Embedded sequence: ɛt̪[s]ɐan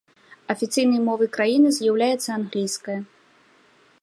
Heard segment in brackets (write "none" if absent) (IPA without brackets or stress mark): sː